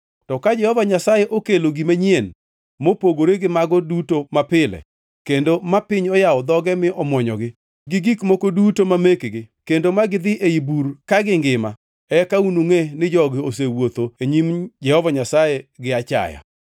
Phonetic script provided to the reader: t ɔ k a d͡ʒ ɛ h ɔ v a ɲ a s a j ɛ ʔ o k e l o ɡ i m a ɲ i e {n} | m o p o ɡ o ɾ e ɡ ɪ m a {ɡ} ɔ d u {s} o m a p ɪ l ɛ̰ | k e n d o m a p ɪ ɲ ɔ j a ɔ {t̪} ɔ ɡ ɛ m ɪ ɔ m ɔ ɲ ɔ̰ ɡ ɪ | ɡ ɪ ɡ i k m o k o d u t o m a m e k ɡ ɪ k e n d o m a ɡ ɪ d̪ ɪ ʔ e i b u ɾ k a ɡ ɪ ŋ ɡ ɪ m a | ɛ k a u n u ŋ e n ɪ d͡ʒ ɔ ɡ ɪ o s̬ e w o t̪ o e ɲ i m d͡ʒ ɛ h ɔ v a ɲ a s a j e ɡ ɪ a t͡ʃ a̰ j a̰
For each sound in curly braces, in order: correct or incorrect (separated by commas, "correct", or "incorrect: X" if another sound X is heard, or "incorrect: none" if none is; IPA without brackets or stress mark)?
correct, correct, incorrect: t, incorrect: d̪